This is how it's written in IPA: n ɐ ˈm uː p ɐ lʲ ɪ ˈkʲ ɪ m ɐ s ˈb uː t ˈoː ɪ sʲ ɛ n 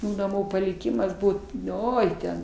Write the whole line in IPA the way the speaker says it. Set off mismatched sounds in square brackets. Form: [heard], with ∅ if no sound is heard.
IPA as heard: n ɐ ˈm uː p ɐ lʲ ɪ ˈkʲ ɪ m ɐ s ˈb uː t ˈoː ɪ [tʲ] ɛ n